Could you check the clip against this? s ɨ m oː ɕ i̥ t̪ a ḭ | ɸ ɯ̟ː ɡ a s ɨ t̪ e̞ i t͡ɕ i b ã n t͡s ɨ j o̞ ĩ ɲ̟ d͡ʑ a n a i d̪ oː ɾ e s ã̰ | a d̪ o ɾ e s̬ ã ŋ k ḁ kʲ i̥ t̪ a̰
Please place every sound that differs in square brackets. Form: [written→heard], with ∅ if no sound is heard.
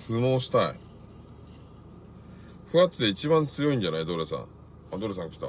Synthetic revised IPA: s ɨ m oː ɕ i̥ t̪ a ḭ | ɸ [ɯ̟ː→ɯ̟] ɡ a [s→t͡s] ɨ [t̪→d̪] e̞ i t͡ɕ i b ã n t͡s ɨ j o̞ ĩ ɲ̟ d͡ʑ a n a i d̪ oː ɾ e s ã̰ | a d̪ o ɾ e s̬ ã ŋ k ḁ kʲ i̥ t̪ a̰